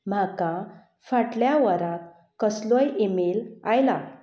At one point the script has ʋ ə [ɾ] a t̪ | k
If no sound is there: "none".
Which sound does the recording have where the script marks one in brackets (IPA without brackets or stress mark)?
ɾ